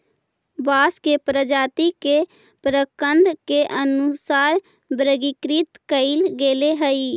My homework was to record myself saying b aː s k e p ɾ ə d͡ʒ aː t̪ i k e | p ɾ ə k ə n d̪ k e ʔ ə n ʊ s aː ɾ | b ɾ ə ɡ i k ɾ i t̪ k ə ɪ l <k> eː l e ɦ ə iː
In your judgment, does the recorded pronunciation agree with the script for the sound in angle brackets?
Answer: no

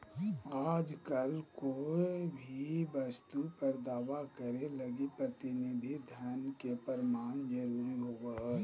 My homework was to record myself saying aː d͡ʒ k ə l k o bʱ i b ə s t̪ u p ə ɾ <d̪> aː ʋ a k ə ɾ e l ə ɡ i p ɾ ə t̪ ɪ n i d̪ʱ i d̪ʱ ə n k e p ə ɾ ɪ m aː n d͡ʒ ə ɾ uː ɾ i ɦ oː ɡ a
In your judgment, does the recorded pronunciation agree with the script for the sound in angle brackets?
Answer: yes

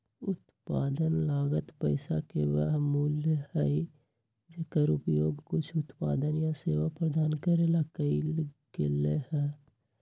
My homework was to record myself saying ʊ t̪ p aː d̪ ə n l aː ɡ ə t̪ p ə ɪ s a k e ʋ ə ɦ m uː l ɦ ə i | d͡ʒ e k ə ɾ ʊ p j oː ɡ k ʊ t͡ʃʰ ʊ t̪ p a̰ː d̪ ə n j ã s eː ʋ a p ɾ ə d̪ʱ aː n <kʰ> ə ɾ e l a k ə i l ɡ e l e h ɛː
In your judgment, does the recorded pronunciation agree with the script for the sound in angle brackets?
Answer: no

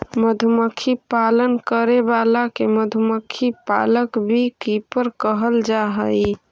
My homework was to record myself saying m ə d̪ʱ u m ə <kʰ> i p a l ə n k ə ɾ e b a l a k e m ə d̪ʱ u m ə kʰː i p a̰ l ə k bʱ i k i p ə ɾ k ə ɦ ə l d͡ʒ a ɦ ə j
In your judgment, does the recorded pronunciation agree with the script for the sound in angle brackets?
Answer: yes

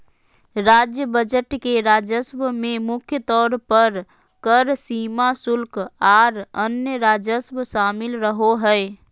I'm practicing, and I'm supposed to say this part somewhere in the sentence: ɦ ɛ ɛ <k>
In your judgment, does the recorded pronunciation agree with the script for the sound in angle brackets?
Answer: no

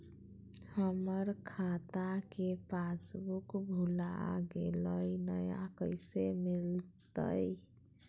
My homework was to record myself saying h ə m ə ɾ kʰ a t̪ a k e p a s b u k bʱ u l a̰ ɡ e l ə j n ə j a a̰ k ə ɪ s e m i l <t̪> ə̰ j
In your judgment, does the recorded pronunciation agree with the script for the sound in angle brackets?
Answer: yes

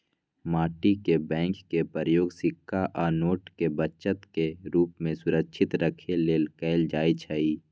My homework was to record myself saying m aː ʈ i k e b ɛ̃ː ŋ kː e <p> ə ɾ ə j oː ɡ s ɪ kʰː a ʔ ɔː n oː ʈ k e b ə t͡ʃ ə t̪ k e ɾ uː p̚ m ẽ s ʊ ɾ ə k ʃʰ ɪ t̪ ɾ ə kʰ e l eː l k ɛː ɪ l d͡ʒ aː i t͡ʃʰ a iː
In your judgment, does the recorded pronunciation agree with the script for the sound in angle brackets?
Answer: yes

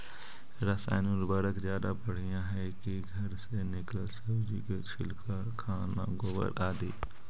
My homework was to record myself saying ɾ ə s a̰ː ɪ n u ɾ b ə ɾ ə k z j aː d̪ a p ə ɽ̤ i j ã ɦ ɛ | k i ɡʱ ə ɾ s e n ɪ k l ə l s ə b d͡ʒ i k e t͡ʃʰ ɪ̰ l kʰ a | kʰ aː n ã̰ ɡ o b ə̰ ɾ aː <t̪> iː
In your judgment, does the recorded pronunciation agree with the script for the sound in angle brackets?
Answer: no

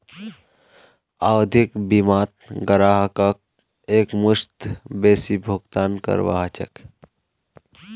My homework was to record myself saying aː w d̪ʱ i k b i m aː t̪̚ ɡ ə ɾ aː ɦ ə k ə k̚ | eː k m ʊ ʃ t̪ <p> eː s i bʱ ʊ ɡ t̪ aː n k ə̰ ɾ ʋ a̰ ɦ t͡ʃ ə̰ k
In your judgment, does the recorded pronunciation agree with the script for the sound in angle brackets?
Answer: no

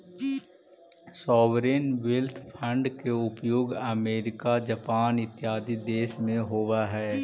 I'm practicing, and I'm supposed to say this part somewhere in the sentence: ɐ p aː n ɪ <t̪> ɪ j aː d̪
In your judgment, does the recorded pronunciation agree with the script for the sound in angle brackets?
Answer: yes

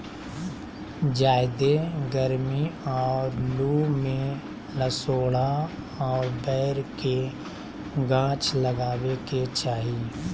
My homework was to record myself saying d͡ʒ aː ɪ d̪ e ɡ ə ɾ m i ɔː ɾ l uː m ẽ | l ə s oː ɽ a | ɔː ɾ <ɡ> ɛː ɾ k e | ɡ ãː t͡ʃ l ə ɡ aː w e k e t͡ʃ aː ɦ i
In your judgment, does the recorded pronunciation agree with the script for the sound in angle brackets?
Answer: no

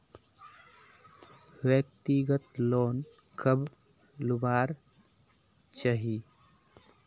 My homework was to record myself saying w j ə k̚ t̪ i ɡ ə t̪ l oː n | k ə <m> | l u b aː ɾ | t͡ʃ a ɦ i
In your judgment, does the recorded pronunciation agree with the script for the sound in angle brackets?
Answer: no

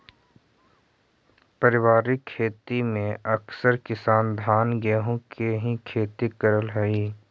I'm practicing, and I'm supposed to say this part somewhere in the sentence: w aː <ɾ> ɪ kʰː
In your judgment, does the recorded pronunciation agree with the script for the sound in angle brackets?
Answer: yes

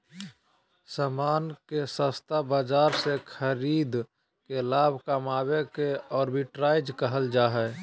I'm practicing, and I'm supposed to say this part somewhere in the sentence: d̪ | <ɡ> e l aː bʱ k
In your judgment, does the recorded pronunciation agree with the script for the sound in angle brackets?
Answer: no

